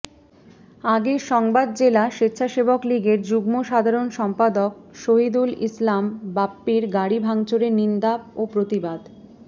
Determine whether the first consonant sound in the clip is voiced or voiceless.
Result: voiced